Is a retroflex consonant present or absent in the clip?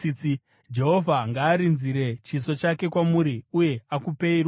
absent